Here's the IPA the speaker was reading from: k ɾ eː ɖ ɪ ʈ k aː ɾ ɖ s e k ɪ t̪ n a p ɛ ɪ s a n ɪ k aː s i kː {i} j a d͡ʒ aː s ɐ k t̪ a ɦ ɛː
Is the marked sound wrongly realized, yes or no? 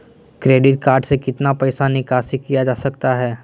no